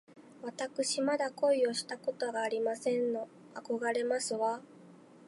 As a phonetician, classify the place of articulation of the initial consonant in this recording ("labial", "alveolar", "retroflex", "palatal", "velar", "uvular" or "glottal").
labial